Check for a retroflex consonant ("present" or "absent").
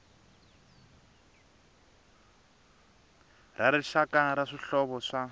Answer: present